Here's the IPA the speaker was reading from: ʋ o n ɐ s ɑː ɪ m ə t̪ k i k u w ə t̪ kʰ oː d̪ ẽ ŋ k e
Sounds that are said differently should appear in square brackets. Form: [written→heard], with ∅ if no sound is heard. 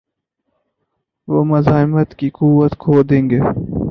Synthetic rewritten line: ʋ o [n→m] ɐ [s→z] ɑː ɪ m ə t̪ k i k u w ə t̪ kʰ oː d̪ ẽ ŋ [k→ɡ] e